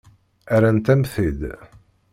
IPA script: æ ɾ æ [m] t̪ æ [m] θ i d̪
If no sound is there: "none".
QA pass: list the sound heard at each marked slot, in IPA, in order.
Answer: n, m

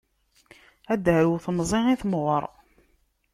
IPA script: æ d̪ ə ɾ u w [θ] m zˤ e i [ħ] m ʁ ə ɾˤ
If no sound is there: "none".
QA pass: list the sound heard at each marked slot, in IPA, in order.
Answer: θ, θ

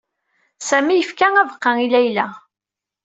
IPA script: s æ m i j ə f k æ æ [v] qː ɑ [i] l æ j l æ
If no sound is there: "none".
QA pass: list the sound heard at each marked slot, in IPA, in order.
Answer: v, i

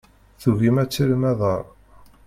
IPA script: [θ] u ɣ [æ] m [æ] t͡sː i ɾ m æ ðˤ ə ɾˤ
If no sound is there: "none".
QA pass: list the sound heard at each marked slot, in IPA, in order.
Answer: θ, i, æ

